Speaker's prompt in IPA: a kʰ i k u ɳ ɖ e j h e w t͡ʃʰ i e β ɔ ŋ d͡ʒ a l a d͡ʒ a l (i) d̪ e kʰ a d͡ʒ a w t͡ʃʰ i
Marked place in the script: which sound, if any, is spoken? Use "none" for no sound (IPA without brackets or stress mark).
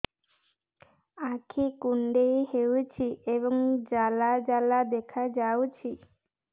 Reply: a